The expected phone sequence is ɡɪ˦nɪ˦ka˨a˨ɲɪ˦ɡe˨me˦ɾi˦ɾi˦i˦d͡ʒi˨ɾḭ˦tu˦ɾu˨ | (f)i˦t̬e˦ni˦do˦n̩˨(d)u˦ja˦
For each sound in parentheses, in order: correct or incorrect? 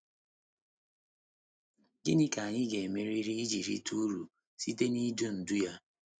incorrect, correct

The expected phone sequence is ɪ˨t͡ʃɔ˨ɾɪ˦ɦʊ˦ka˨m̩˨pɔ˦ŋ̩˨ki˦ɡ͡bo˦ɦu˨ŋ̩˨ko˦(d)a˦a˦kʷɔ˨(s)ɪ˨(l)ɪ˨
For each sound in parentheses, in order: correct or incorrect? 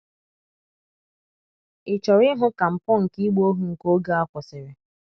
incorrect, correct, incorrect

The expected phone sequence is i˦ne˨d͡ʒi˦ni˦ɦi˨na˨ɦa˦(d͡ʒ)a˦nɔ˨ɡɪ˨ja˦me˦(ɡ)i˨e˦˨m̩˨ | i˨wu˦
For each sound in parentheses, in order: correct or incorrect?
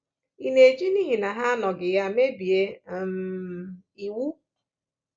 incorrect, incorrect

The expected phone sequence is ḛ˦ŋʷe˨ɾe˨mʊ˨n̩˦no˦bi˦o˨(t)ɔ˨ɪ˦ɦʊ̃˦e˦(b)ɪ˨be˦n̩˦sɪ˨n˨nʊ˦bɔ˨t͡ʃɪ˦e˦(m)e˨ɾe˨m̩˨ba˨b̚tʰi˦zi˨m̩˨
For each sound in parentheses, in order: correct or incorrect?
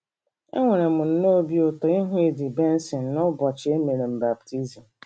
correct, incorrect, correct

